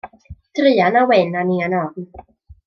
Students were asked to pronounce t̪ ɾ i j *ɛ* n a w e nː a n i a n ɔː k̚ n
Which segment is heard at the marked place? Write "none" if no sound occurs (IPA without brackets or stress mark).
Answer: a